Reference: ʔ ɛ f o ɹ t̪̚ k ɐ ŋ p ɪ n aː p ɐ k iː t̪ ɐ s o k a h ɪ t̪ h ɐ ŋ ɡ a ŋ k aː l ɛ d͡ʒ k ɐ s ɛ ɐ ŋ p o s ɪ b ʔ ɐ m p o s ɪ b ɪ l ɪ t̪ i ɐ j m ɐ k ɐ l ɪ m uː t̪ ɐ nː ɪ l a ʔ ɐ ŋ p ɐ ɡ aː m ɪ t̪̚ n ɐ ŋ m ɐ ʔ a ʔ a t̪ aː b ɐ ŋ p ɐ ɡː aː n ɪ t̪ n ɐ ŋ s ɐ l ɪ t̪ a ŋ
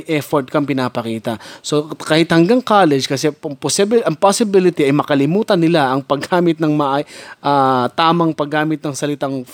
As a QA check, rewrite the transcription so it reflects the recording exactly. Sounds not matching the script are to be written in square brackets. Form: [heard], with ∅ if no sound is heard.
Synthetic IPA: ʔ ɛ f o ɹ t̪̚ k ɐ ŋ p ɪ n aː p ɐ k iː t̪ ɐ s o k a h ɪ t̪ h ɐ ŋ ɡ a ŋ k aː l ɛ d͡ʒ k ɐ s ɛ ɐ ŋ p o s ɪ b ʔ ɐ [ŋ] p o s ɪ b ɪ l ɪ t̪ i ɐ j m ɐ k ɐ l ɪ m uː t̪ ɐ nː ɪ l a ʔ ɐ ŋ p ɐ ɡ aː m ɪ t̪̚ n ɐ ŋ m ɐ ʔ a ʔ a t̪ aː [m] ɐ ŋ p ɐ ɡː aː [m] ɪ t̪ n ɐ ŋ s ɐ l ɪ t̪ a ŋ